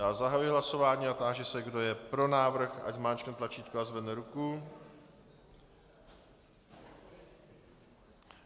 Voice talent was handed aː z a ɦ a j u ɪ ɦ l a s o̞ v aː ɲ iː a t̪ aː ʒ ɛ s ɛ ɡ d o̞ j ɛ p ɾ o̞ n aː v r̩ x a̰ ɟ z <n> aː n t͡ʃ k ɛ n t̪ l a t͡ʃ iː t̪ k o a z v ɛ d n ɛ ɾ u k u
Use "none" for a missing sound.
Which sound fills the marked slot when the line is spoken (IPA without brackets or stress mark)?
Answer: m